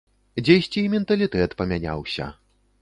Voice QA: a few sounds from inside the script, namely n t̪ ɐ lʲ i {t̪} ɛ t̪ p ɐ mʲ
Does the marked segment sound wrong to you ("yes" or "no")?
no